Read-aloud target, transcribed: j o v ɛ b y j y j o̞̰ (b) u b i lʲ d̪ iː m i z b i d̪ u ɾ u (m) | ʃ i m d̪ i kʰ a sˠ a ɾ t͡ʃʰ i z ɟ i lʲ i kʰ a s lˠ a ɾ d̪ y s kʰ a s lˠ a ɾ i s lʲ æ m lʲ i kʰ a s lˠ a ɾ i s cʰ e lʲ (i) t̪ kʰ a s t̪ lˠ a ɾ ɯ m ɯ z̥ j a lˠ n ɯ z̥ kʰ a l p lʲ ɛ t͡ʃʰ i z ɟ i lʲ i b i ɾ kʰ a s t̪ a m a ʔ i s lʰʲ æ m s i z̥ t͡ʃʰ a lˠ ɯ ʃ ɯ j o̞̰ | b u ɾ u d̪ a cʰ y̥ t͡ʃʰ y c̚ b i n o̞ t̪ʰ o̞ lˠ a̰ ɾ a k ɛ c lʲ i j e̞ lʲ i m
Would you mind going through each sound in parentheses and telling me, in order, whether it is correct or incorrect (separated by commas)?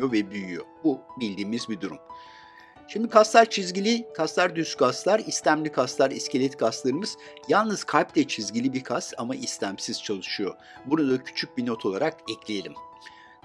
correct, correct, incorrect